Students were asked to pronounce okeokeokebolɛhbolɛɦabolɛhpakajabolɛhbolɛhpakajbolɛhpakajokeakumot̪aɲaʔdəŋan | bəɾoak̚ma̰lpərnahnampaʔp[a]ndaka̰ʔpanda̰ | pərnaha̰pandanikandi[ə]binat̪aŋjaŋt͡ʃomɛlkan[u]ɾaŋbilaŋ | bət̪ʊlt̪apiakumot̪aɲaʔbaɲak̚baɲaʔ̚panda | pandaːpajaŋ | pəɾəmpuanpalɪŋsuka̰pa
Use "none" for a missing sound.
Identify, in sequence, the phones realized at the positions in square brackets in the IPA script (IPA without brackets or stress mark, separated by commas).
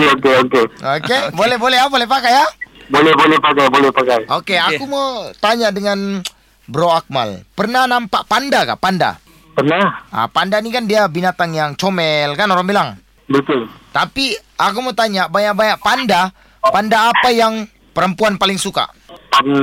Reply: a, a, o